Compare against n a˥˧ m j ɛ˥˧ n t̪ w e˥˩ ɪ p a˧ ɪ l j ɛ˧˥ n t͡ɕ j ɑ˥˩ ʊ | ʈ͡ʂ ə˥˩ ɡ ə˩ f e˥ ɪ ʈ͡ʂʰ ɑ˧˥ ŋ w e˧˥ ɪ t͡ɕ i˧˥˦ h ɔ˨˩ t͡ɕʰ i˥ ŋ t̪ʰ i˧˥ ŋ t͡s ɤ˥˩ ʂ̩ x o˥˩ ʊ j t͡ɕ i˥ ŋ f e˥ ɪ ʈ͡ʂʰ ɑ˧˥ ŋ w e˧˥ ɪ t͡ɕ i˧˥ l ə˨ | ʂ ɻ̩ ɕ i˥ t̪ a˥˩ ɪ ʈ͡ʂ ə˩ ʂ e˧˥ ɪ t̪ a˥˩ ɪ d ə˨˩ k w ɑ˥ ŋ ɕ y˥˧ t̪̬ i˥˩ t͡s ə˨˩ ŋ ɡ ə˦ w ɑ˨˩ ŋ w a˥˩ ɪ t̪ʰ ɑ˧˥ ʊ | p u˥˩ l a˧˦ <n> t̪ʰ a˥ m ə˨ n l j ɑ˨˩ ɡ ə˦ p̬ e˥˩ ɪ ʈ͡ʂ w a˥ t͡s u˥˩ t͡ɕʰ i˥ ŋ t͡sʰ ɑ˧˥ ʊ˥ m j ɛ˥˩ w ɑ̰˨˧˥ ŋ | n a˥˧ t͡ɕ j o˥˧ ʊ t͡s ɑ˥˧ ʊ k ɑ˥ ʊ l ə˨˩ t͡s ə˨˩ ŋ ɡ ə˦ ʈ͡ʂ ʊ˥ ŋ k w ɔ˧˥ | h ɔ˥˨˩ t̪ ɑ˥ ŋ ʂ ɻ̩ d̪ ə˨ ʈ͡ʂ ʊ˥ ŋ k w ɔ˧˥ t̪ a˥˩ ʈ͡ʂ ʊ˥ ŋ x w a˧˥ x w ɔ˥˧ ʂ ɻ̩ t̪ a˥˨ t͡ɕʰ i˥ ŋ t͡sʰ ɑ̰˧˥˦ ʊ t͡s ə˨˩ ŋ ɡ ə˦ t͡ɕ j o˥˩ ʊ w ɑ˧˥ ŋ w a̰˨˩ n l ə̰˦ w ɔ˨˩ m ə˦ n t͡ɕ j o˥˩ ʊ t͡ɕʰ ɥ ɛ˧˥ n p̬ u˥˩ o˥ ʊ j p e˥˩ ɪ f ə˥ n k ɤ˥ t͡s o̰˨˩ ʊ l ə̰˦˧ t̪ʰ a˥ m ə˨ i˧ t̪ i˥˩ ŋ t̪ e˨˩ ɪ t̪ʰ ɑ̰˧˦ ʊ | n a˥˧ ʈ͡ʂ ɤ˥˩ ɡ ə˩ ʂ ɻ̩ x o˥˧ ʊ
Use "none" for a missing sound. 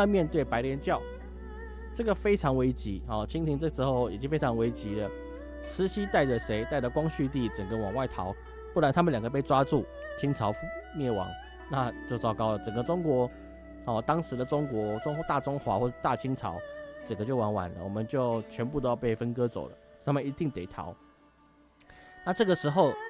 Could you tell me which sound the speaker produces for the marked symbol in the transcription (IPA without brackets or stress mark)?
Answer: n